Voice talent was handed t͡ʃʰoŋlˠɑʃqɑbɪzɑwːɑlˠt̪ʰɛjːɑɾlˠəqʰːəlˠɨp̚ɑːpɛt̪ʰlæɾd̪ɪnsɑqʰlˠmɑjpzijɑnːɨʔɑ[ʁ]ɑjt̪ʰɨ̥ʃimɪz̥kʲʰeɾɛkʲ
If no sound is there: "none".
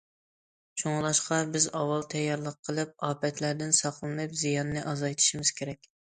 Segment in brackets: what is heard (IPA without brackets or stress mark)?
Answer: z